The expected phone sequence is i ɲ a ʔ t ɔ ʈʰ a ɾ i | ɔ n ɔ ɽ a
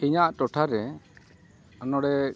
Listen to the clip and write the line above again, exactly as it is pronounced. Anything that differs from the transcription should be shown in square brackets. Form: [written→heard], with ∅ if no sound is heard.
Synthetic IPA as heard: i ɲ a ʔ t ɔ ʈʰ a ɾ [i→ɛ] | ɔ n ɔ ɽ [a→ɛ]